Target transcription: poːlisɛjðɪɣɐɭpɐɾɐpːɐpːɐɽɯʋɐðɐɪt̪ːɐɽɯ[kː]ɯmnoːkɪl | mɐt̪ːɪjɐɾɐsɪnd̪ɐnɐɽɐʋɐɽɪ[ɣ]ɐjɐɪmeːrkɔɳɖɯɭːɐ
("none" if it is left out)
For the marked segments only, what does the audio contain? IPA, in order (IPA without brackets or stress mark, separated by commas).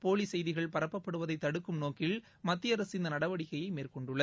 kː, ɣ